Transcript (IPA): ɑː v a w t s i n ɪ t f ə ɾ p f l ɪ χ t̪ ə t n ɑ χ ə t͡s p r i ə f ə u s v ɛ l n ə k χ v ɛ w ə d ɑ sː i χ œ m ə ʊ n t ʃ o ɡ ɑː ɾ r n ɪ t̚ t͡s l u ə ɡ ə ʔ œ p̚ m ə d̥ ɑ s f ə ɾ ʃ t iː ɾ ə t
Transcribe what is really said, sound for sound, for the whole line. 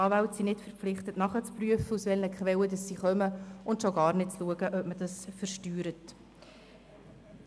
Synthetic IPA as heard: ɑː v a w t s i n ɪ t f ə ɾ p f l ɪ χ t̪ ə t n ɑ χ ə t͡s p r y ə f ə u s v ɛ l n ə k χ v ɛ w ə d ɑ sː i χ œ m ə ʊ n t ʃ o ɡ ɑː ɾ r n ɪ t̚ t͡s l u ə ɡ ə ʔ œ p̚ m ə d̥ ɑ s f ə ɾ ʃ t yː ɾ ə t